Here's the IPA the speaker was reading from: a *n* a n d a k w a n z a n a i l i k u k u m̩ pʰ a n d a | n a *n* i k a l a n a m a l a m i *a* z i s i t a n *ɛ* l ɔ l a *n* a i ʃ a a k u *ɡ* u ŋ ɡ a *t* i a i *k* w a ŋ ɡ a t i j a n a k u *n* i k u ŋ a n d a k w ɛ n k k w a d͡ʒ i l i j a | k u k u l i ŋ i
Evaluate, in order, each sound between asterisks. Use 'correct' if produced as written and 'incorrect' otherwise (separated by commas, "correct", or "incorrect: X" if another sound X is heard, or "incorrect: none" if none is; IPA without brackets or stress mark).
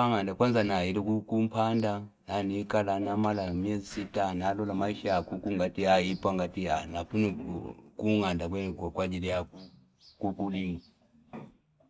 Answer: incorrect: ŋ, correct, incorrect: ɛ, incorrect: a, incorrect: m, incorrect: k, correct, incorrect: p, correct